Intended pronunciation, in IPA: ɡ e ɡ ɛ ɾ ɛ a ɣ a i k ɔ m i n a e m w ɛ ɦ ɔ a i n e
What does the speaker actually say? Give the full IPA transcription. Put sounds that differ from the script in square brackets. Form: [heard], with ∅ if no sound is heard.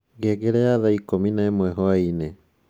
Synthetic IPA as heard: ɡ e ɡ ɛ ɾ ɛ a [ð] a i k [o] m i n a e m w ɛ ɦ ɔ a i n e